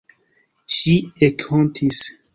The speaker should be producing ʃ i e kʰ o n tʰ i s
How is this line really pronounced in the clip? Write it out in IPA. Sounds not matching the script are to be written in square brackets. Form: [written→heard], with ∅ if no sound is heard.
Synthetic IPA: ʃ i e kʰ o n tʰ i s